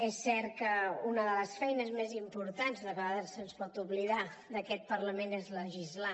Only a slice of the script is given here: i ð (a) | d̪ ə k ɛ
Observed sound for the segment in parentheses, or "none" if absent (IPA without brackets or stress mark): a